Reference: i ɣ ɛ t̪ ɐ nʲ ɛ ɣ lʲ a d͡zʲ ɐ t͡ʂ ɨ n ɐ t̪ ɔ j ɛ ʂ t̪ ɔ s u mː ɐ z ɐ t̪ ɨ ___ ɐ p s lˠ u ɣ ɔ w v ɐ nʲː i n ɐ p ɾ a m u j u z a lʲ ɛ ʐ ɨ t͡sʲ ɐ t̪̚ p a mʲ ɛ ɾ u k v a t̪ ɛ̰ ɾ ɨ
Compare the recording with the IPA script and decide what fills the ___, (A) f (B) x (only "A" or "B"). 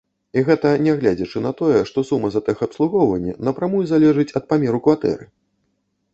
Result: B